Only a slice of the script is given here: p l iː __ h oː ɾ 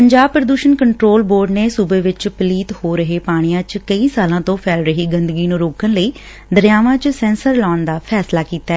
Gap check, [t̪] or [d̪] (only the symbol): t̪